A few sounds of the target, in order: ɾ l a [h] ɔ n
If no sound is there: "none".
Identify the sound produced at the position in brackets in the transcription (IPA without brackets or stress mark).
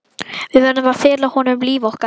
h